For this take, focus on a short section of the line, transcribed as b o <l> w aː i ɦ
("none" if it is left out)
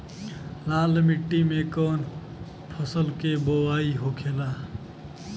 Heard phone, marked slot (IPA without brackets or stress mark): none